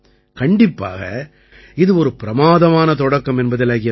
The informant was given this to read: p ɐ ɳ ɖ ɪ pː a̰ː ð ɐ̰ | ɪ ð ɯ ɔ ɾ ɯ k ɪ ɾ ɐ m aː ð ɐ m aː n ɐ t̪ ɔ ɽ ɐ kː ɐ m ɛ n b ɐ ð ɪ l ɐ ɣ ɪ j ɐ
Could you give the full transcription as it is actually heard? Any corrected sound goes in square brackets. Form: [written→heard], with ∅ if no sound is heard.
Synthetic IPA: [p→k] ɐ ɳ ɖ ɪ pː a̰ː [ð→ɣ] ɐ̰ | ɪ ð ɯ ɔ ɾ ɯ [k→p] ɪ ɾ ɐ m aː ð ɐ m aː n ɐ t̪ ɔ ɽ ɐ kː ɐ m ɛ n b ɐ ð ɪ l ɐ ɣ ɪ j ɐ